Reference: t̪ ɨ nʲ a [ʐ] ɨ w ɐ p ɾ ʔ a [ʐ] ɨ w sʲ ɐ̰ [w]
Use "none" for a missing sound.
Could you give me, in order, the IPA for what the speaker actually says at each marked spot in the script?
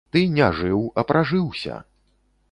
ʐ, ʐ, none

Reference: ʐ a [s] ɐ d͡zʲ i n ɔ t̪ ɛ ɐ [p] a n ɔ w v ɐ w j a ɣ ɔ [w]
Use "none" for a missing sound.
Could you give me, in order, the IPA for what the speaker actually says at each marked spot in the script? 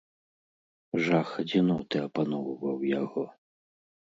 x, p, none

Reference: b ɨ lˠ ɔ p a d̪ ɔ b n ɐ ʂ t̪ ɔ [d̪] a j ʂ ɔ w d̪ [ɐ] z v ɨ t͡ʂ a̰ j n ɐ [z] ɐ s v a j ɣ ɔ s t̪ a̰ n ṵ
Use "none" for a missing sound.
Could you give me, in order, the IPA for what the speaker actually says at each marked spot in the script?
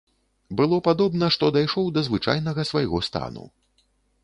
d̪, ɐ, ɣ

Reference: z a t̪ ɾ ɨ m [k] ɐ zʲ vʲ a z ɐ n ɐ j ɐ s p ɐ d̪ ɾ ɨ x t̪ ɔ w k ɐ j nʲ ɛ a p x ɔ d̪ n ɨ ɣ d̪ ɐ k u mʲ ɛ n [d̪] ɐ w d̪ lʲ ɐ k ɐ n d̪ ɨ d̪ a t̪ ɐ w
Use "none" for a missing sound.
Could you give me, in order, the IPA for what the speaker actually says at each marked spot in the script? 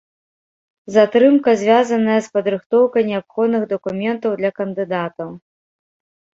k, t̪

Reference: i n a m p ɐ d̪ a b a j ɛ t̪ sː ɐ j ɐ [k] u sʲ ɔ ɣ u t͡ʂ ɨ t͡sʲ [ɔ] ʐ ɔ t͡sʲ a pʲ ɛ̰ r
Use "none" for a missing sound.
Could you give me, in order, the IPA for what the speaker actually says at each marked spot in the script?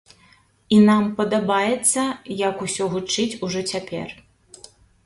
k, u

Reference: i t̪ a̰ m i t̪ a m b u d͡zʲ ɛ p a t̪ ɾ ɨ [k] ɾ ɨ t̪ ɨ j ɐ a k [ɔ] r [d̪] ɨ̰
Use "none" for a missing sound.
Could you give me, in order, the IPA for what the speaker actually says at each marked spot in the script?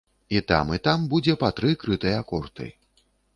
k, ɔ, t̪

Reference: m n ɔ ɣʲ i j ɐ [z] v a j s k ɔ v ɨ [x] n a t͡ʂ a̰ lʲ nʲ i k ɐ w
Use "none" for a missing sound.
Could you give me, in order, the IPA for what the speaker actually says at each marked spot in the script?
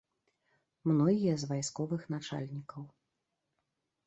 z, x

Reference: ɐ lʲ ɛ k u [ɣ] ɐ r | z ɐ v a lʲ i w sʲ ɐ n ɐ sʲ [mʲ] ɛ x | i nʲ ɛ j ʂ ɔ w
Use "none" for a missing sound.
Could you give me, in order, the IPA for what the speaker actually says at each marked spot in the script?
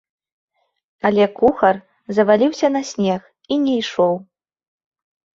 x, nʲ

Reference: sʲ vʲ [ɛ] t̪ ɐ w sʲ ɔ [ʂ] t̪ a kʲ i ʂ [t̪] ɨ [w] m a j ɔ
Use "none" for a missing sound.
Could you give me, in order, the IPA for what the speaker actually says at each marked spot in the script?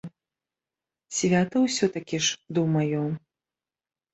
a, none, d̪, w

